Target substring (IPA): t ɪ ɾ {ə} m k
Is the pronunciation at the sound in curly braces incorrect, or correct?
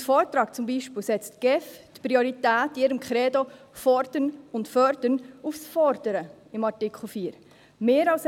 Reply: correct